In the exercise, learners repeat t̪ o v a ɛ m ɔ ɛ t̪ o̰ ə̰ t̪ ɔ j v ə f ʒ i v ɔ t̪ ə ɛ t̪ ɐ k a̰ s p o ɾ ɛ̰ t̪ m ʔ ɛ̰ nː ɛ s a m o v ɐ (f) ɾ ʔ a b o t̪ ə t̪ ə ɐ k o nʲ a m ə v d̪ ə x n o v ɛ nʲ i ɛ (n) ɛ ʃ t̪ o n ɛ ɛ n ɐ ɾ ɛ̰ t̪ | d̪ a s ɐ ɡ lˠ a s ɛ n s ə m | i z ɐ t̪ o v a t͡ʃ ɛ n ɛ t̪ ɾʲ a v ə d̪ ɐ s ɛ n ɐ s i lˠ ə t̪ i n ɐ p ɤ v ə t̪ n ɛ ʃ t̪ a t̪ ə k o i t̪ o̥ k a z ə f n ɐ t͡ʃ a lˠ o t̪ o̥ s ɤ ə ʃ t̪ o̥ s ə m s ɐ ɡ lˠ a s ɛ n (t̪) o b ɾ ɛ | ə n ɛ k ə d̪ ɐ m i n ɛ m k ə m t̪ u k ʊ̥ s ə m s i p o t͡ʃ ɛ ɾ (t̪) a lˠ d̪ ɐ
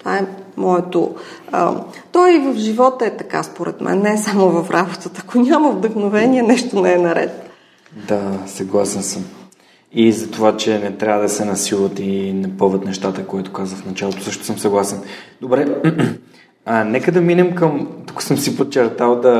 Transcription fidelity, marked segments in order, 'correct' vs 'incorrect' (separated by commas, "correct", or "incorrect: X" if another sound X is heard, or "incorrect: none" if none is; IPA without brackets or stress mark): correct, correct, incorrect: d̪, correct